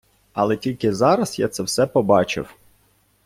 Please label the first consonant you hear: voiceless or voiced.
voiced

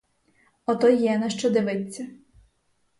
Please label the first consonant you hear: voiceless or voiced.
voiceless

